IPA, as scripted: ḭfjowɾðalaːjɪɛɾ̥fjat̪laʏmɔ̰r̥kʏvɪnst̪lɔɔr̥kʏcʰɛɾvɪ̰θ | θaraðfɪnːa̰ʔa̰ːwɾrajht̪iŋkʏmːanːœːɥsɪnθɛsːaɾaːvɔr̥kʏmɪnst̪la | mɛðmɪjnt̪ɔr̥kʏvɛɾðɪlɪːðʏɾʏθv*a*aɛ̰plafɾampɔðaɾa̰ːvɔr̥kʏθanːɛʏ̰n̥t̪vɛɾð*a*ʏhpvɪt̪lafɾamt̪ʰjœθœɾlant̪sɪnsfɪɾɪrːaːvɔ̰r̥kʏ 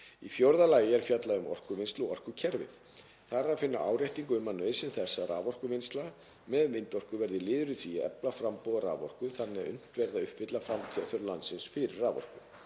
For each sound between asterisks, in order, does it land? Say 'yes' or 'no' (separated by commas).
no, yes